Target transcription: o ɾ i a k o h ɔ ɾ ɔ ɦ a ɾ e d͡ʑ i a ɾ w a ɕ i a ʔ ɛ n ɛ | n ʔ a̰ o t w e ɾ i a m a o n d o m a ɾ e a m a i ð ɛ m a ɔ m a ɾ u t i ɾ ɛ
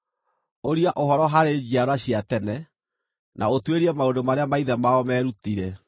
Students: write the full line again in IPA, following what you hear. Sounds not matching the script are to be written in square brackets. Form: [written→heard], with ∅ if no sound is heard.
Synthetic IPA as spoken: o ɾ i a [k→ʔ] o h ɔ ɾ ɔ ɦ a ɾ e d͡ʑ i a ɾ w a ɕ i a [ʔ→t] ɛ n ɛ | n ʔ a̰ o t w e ɾ i [a→ɛ] m a o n d o m a ɾ e a m a i ð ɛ m a ɔ m [a→ɛ] ɾ u t i ɾ ɛ